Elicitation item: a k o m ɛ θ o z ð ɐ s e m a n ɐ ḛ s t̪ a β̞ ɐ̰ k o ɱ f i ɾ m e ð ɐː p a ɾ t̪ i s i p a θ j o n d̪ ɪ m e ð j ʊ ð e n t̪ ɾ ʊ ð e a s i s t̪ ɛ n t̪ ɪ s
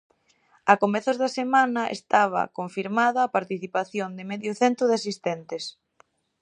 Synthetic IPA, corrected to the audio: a k o m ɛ θ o z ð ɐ s e m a n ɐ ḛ s t̪ a β̞ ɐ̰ k o ɱ f i ɾ m a ð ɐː p a ɾ t̪ i θ i p a θ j o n d̪ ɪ m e ð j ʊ θ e n t̪ ɾ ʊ ð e a s i s t̪ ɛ n t̪ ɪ s